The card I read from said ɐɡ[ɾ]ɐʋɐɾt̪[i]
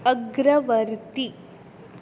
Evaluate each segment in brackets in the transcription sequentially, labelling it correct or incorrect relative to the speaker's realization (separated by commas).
correct, correct